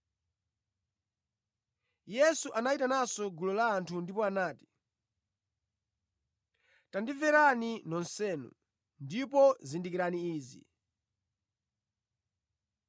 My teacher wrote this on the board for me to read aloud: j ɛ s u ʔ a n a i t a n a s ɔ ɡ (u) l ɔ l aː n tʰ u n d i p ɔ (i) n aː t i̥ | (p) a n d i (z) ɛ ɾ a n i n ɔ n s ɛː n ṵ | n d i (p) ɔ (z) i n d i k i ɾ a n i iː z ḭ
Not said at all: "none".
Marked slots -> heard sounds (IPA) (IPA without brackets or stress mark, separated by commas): u, a, t, v, p, z